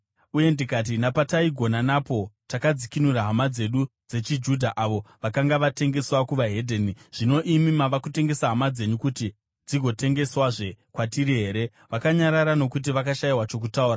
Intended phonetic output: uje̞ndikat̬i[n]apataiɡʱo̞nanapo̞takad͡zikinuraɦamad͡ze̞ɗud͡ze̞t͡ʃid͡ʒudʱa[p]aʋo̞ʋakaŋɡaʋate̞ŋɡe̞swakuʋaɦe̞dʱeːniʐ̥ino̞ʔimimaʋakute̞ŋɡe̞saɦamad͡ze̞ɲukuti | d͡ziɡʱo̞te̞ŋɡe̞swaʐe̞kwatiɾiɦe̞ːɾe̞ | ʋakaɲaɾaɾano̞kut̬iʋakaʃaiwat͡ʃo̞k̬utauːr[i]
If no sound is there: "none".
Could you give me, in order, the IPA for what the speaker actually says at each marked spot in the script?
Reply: n, ʔ, a

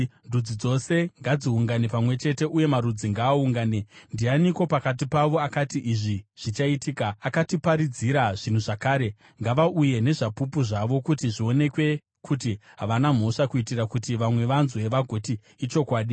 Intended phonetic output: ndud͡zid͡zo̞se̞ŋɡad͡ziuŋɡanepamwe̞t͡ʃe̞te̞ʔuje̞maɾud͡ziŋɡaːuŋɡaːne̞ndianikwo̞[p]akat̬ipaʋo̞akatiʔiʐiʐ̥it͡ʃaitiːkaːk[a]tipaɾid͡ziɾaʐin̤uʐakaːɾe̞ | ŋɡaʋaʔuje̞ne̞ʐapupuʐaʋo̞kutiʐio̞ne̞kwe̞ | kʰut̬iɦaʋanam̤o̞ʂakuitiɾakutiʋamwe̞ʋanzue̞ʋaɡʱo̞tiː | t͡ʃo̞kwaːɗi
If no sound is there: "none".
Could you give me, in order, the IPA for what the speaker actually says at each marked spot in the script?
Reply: p, a

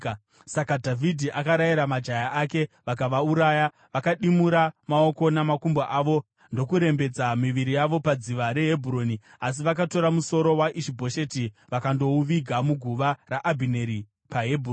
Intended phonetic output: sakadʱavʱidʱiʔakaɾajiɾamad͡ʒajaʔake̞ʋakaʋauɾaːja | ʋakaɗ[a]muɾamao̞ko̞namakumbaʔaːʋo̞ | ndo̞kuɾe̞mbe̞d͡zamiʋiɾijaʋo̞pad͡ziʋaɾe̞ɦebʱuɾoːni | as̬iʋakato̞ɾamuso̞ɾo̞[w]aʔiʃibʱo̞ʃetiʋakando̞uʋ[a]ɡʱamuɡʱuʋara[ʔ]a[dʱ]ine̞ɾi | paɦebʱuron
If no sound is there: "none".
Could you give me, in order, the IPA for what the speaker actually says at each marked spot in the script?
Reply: i, w, i, ʔ, bʱ

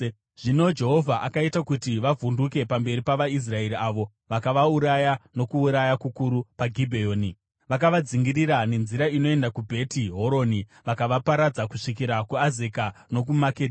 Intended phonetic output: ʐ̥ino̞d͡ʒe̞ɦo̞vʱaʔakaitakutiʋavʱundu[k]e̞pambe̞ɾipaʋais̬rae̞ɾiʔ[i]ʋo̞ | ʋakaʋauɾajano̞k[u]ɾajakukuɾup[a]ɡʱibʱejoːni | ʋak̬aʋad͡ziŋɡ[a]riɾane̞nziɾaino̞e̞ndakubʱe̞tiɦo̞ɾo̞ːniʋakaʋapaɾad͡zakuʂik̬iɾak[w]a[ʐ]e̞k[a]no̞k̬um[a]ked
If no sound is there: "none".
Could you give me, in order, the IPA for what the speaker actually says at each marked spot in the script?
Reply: k, a, uː, a, i, u, z, a, a

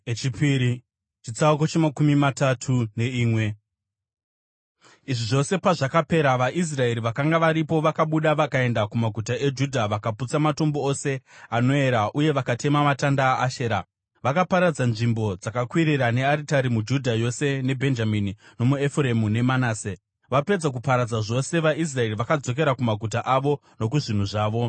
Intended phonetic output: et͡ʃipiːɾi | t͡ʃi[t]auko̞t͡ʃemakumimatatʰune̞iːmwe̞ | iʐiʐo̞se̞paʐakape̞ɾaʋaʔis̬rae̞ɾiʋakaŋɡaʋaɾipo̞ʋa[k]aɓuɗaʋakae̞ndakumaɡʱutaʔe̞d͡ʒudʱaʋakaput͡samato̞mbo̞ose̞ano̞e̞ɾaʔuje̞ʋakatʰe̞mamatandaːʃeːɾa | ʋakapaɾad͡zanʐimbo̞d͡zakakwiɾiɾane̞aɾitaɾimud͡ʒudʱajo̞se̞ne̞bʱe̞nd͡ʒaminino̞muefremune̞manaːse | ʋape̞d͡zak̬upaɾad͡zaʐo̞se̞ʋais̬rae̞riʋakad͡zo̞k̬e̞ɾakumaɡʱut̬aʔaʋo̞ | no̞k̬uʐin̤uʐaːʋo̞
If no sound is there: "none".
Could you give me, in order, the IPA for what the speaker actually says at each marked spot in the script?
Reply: t͡s, k

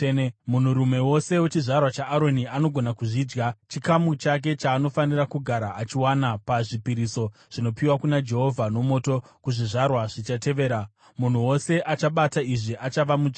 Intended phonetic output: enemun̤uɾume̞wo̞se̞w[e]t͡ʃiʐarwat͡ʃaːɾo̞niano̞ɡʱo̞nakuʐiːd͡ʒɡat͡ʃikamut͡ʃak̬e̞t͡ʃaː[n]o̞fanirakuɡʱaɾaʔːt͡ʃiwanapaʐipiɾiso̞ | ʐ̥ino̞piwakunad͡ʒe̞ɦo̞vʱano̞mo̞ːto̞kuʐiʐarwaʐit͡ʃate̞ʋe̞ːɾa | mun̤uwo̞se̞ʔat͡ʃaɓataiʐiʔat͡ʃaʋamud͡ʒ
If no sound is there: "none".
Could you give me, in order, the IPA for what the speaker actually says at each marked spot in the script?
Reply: e, n

